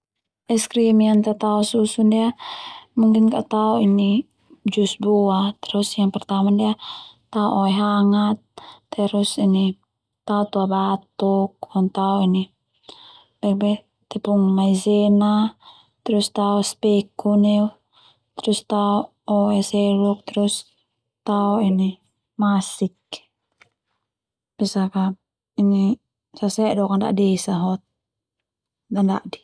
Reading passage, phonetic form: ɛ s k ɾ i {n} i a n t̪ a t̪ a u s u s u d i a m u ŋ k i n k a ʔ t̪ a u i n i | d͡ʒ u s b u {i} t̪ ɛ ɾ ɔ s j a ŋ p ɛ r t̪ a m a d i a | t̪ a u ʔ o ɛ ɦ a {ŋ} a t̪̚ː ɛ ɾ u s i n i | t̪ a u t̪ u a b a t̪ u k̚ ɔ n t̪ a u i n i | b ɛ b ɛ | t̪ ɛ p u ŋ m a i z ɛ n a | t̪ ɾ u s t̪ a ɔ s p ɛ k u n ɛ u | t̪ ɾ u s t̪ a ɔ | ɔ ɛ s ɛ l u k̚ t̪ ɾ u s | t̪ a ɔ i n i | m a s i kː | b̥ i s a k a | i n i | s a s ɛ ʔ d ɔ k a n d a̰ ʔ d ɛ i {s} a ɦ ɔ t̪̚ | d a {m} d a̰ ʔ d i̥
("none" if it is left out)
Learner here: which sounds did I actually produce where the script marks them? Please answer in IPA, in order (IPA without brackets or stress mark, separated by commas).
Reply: m, a, ŋ, s, n